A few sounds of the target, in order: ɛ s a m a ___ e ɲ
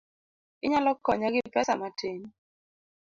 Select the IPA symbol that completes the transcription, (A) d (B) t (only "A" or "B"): B